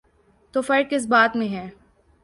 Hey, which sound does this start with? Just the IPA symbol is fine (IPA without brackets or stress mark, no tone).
t̪